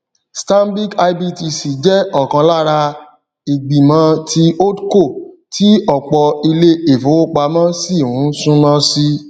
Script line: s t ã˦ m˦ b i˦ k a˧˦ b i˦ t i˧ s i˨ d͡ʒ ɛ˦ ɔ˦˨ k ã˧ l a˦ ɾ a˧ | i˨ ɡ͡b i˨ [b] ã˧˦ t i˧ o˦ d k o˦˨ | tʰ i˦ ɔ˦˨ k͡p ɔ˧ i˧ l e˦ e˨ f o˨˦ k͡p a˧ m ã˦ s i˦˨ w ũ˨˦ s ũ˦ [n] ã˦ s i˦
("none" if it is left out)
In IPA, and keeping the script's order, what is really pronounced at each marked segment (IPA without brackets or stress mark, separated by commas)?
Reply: m, n